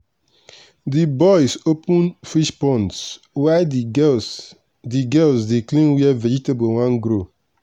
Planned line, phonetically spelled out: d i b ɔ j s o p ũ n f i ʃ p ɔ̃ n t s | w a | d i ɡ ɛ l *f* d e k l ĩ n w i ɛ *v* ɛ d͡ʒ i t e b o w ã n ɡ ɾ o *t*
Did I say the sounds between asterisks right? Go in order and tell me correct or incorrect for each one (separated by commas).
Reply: incorrect, correct, incorrect